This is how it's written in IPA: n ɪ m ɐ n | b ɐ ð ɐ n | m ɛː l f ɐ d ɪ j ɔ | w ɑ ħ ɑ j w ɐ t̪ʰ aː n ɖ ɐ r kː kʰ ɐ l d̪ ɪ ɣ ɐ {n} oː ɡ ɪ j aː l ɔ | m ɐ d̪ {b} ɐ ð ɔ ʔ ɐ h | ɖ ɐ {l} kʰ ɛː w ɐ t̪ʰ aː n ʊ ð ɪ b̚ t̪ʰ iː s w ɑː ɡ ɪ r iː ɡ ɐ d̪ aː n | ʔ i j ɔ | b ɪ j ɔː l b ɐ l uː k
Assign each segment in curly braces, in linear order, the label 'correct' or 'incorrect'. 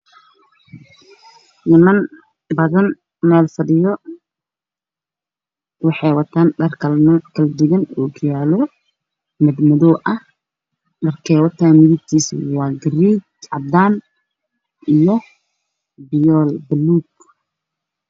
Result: correct, incorrect: m, incorrect: r

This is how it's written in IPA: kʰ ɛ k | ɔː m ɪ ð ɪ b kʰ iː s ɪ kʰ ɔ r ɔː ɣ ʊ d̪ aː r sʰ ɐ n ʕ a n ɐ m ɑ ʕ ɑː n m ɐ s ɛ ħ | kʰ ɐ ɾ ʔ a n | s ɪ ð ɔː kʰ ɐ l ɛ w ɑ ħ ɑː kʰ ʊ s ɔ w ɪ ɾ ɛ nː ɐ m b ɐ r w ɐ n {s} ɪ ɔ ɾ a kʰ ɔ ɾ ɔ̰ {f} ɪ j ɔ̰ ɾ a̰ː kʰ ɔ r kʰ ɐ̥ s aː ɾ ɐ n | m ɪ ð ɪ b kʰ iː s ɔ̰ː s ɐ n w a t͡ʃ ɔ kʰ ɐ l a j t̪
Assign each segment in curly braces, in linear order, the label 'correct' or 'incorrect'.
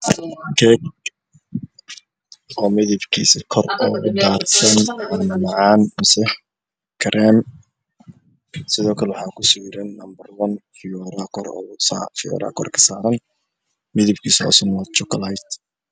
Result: incorrect: f, correct

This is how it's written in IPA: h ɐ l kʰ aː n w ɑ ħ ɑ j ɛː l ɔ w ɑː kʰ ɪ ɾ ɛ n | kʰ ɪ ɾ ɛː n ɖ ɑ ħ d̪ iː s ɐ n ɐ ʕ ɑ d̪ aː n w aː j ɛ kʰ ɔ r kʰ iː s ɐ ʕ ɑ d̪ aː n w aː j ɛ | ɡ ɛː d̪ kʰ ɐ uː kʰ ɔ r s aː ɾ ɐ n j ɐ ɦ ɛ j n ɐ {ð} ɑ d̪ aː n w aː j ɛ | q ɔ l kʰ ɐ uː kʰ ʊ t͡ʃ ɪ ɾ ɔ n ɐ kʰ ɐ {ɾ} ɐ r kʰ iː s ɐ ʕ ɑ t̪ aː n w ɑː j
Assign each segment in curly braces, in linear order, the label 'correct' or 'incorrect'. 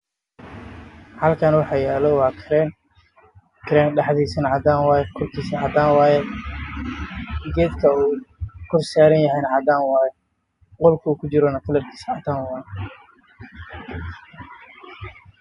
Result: incorrect: ʕ, incorrect: l

